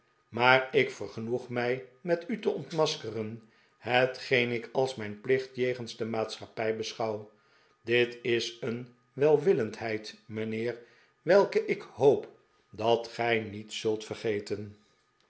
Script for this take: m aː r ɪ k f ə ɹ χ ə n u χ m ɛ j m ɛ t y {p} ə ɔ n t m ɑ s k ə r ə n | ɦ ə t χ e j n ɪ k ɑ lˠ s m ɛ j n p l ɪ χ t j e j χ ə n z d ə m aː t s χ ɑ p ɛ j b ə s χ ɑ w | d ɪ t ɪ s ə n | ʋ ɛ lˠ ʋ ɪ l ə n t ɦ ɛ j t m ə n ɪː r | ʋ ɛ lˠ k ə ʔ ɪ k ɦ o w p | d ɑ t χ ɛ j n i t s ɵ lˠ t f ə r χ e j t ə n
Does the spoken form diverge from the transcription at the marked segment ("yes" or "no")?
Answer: yes